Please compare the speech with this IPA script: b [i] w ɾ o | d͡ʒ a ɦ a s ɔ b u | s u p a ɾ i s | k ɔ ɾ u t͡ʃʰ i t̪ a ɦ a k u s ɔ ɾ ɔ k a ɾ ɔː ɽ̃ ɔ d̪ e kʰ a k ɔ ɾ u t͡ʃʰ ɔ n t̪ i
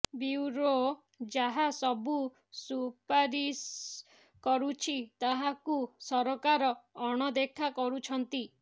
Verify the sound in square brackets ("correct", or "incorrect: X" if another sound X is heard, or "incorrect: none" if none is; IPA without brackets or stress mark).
correct